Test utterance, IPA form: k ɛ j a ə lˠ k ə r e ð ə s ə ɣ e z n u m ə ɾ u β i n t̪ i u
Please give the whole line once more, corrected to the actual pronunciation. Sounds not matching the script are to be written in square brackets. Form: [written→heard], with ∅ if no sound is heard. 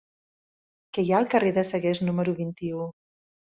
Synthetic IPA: k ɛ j a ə lˠ k ə r e ð ə s ə ɣ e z n u m ə ɾ u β i n t̪ i u